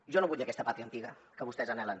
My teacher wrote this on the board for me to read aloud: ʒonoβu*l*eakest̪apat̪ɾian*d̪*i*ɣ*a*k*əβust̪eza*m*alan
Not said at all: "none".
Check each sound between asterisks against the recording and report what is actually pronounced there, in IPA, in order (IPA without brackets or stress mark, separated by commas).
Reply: ʎ, t̪, ɣ, k, n